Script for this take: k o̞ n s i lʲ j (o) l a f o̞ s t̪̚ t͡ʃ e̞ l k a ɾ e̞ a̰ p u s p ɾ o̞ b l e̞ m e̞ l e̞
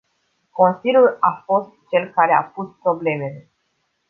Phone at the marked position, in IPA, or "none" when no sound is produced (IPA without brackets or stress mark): u